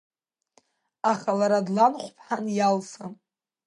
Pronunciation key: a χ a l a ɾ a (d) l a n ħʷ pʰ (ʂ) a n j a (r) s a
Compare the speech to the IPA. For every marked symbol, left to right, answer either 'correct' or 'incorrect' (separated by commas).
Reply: correct, incorrect, incorrect